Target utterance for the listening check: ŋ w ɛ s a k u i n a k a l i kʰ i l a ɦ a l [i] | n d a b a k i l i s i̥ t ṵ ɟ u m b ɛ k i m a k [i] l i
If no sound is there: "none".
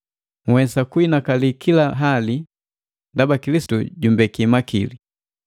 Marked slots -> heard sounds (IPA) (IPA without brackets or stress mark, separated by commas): i, i